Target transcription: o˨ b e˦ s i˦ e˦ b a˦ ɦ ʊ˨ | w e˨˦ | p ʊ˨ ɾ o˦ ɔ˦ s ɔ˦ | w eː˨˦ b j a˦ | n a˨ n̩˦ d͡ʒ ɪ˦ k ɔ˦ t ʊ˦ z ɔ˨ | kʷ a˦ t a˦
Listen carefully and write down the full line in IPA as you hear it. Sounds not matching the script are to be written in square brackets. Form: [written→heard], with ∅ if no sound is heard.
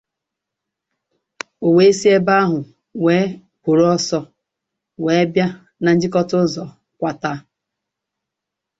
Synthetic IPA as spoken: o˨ [b→w] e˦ s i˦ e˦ b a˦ ɦ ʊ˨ | w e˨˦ | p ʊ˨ ɾ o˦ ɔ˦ s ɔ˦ | w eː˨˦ b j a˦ | n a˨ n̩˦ d͡ʒ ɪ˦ k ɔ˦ t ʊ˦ z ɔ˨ | kʷ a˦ t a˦